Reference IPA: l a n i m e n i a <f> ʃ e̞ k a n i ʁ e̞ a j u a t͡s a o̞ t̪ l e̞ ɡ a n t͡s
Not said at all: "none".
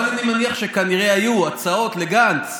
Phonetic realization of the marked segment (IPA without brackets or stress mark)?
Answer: χ